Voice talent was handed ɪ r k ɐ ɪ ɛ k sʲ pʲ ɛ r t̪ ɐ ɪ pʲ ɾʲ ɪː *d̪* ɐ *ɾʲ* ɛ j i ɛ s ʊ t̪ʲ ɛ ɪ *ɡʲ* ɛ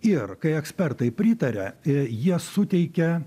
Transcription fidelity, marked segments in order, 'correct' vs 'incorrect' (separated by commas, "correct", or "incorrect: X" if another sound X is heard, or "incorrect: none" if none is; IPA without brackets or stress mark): incorrect: t̪, correct, incorrect: kʲ